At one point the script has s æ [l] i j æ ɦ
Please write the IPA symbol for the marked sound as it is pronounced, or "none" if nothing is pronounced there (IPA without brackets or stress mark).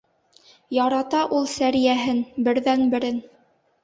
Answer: ɾ